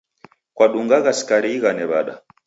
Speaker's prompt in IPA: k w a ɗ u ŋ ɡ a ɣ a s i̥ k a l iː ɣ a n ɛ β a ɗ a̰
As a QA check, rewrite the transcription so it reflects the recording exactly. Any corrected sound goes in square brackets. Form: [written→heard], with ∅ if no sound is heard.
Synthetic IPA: k w a ɗ u ŋ ɡ a ɣ a s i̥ k a [l→ɾ] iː ɣ a n ɛ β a ɗ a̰

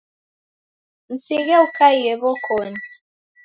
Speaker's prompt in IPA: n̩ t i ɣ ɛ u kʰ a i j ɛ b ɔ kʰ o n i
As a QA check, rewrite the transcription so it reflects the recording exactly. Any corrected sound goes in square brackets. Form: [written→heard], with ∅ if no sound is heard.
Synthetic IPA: n̩ [t→s] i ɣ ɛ u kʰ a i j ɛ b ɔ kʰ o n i

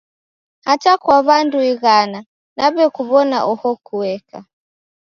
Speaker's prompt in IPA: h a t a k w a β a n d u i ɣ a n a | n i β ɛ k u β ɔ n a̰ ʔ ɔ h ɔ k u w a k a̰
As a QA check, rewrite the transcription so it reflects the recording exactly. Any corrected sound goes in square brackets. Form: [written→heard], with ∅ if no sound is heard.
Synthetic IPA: h a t a k w a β a n d u i ɣ a n a | n [i→a] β ɛ k u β ɔ n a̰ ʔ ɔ h ɔ k u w [a→ɛ] k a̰

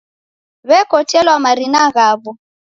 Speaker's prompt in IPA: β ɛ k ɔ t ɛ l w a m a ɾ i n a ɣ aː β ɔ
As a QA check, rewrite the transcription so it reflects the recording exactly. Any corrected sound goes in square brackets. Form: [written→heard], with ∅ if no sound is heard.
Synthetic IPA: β ɛ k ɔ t ɛ l w a m a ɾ i n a ɣ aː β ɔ

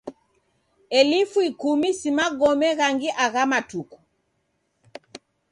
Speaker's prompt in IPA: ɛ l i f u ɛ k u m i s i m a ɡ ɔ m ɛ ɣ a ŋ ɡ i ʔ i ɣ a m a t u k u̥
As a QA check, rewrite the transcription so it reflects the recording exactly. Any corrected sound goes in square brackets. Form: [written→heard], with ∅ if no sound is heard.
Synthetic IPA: ɛ l i f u [ɛ→i] k u m i s i m a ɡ ɔ m ɛ ɣ a ŋ ɡ i ʔ [i→a] ɣ a m a t u k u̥

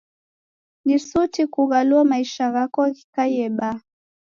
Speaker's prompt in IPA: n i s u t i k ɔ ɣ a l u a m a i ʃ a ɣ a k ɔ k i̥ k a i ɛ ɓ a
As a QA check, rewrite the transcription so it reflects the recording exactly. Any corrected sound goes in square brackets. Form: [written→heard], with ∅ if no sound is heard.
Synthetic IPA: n i s u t i k [ɔ→u] ɣ a l u a m a i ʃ a ɣ a k ɔ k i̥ k a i ɛ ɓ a

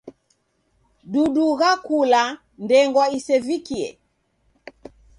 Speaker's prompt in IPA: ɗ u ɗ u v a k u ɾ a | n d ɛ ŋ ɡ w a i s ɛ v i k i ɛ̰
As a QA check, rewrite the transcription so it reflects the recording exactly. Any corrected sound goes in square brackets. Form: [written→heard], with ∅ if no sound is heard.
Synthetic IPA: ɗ u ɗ u [v→ɣ] a k u [ɾ→l] a | n d ɛ ŋ ɡ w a i s ɛ v i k i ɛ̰

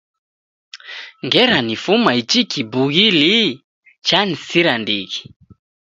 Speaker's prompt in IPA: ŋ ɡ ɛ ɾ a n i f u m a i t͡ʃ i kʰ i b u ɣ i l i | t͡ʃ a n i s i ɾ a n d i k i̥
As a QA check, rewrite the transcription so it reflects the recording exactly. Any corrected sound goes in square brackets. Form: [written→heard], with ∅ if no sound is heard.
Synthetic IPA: ŋ ɡ ɛ ɾ a n i f u m a i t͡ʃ i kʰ i b u ɣ i l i | t͡ʃ a n i s i ɾ a n d i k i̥

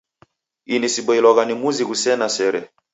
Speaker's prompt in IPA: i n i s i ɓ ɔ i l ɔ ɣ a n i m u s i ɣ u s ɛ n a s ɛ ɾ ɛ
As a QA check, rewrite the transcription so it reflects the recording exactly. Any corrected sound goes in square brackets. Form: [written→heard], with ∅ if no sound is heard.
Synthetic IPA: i n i s i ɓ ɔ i l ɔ ɣ a n i m u [s→z] i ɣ u s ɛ n a s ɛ ɾ ɛ

